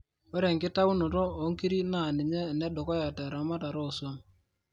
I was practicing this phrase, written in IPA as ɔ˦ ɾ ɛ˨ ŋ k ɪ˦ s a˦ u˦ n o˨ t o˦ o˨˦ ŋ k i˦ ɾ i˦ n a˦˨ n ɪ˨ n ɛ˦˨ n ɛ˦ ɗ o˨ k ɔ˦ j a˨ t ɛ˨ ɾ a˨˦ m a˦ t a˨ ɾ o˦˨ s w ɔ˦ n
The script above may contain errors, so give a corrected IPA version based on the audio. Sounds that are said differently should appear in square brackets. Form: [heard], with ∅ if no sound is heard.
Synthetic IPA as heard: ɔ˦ ɾ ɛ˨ ŋ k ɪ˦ [t] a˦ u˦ n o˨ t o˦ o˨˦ ŋ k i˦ ɾ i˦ n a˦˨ n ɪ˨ [ɲ] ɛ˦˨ n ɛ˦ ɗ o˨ k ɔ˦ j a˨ t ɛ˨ ɾ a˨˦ m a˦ t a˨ ɾ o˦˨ s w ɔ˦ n